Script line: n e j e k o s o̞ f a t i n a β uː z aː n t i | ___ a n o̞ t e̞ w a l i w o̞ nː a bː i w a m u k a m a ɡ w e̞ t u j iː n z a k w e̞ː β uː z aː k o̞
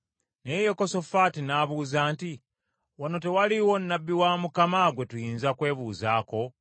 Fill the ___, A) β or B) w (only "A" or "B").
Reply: B